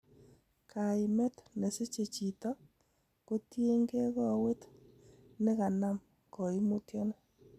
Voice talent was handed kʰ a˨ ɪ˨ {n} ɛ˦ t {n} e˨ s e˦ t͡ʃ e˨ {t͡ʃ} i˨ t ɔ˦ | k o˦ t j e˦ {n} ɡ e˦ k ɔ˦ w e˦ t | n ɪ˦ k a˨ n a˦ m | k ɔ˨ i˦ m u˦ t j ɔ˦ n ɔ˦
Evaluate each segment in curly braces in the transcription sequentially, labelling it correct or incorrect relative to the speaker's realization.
incorrect, correct, correct, incorrect

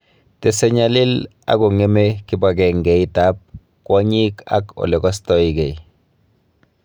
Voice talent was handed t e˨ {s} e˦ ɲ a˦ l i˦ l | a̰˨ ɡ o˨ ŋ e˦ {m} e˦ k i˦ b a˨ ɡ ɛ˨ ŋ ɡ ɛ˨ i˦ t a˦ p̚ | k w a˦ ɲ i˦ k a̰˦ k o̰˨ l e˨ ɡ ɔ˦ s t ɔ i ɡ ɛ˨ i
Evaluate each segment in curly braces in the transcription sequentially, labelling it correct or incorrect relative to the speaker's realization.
correct, correct

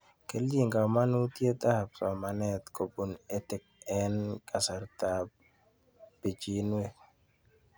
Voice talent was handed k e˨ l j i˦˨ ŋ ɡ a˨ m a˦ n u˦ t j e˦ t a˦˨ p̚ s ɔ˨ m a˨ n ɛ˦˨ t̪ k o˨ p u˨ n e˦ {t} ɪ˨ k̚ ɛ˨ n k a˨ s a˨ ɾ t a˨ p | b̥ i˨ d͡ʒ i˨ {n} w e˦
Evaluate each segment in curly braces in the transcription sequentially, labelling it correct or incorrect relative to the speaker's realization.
correct, correct

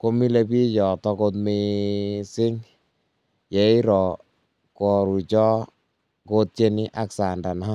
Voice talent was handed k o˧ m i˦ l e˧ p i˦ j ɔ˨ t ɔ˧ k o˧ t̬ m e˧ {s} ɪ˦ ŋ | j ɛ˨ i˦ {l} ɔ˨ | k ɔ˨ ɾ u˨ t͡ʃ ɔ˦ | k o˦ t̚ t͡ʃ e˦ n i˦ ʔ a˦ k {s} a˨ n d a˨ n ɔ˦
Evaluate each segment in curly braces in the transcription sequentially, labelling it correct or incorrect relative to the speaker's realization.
correct, incorrect, correct

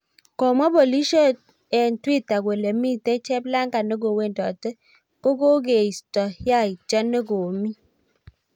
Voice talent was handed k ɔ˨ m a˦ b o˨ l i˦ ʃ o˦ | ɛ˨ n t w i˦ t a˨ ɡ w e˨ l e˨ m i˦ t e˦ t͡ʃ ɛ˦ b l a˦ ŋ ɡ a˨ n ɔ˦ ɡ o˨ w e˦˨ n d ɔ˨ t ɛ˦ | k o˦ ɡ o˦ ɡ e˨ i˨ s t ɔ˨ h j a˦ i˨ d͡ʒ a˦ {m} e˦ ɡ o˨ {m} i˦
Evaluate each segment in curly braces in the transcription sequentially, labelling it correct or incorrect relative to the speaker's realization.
incorrect, correct

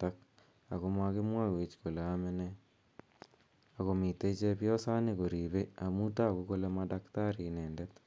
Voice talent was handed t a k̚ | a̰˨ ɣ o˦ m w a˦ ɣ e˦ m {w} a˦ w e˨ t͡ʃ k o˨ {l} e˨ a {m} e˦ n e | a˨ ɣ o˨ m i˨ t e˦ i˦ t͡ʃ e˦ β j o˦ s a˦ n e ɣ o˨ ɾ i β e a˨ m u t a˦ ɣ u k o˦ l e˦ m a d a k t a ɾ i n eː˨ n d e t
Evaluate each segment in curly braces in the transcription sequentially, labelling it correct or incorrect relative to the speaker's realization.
correct, correct, correct

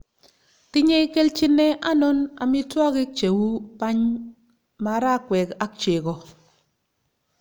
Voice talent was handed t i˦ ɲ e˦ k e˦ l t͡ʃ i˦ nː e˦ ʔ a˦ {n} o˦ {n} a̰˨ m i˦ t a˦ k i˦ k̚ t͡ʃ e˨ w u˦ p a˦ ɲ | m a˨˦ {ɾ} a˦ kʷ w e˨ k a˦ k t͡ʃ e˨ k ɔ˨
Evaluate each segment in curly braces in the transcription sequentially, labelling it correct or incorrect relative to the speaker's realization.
correct, correct, correct

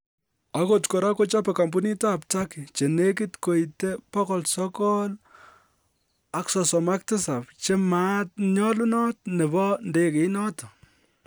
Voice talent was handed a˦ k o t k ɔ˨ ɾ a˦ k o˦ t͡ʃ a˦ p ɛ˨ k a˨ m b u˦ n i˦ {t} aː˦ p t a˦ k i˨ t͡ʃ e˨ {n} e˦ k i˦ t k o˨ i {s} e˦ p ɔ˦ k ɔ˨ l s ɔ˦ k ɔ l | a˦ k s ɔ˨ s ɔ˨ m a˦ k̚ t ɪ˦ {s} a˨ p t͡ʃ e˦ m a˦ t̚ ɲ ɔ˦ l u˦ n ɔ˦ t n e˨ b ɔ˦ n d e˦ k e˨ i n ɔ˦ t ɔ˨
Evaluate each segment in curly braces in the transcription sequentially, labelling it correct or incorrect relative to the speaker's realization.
correct, correct, incorrect, correct

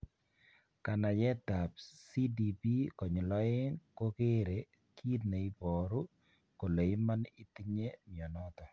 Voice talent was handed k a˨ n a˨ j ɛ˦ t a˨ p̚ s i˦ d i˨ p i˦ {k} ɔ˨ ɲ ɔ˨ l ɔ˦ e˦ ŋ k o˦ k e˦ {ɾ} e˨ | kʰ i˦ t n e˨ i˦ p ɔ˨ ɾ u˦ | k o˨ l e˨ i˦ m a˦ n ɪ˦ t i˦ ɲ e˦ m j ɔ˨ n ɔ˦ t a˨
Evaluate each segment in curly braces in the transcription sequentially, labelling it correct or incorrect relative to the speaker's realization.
correct, correct

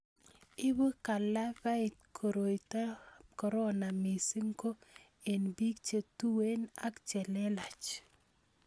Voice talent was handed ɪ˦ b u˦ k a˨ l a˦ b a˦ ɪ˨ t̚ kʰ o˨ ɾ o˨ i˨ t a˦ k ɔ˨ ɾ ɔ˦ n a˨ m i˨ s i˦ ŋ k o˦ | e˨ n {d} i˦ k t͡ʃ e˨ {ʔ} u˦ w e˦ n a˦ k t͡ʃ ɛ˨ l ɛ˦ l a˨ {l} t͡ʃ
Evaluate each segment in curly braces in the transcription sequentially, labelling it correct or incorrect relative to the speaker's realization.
incorrect, incorrect, incorrect

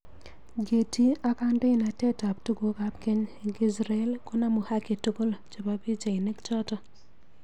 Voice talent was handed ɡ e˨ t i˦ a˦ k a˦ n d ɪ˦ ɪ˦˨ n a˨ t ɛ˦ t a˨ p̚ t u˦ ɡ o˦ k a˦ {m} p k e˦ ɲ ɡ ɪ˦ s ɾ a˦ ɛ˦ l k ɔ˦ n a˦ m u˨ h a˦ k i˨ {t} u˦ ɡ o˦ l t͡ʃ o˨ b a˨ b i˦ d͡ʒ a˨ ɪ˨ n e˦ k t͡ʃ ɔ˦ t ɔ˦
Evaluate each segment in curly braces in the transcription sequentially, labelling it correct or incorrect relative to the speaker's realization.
incorrect, correct

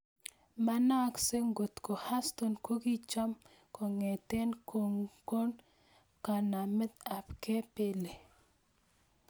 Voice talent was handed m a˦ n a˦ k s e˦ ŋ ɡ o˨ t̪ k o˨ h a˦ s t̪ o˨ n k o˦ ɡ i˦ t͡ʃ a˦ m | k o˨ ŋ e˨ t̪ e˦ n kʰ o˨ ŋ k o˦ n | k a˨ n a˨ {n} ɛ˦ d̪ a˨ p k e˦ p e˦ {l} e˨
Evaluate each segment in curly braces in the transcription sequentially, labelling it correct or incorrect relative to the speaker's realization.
incorrect, correct

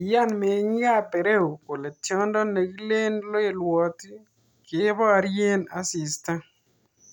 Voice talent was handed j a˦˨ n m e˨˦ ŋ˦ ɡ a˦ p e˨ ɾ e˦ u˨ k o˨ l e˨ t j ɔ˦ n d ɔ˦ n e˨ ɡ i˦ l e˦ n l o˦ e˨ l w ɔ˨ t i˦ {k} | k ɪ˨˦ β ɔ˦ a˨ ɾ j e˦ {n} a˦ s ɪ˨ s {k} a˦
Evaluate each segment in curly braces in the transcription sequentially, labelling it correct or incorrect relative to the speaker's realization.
incorrect, correct, incorrect

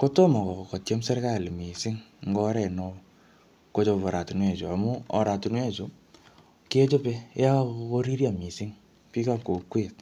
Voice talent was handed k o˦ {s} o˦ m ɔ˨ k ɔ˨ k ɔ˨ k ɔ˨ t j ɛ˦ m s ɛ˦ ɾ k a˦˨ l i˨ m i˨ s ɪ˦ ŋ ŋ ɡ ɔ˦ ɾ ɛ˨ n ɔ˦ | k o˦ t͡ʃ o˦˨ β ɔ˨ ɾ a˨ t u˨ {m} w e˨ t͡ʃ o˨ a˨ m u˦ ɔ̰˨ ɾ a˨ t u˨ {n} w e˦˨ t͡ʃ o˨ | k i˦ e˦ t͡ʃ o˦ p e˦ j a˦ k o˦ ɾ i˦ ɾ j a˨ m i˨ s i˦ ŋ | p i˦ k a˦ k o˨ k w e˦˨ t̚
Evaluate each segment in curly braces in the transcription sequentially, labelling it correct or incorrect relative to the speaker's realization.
incorrect, incorrect, correct

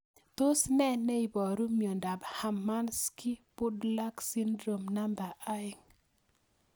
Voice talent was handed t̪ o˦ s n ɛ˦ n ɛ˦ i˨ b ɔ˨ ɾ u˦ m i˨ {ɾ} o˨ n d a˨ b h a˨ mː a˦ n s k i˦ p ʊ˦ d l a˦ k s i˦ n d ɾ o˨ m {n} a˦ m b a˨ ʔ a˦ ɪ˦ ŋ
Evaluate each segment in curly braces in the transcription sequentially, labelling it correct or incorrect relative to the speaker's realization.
incorrect, correct

